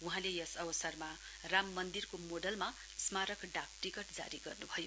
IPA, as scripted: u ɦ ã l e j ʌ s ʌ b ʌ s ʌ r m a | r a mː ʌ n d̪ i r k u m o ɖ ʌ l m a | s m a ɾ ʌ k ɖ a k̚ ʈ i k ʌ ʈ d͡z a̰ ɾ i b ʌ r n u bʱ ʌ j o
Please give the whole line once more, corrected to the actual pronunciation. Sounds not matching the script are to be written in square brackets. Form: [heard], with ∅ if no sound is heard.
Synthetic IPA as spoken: u ɦ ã l e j ʌ s ʌ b ʌ s ʌ r m a | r a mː ʌ n d̪ i r k [o] m o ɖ ʌ l m a | s m a ɾ ʌ k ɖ a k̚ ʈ i k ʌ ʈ d͡z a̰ ɾ i [ɡ] ʌ r n u bʱ ʌ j o